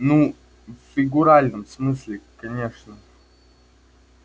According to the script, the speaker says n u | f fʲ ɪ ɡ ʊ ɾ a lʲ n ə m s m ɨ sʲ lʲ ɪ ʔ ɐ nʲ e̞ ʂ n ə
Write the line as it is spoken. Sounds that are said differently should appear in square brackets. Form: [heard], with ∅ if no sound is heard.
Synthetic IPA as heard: n u | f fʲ ɪ ɡ ʊ ɾ a lʲ n ə m s m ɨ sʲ lʲ ɪ [k] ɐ nʲ e̞ ʂ n ə